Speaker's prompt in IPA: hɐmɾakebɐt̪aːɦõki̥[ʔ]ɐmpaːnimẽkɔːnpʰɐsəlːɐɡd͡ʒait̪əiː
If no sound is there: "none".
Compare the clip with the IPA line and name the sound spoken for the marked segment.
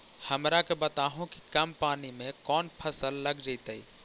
k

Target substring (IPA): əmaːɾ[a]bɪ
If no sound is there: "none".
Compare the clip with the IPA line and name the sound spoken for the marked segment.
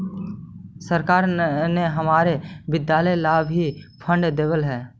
e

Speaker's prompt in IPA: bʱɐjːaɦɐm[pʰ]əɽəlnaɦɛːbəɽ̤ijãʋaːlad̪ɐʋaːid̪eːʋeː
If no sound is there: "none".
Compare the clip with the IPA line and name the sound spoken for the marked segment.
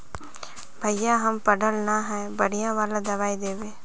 p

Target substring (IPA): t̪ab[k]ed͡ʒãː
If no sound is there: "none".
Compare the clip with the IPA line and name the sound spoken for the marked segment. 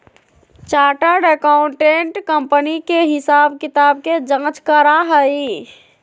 k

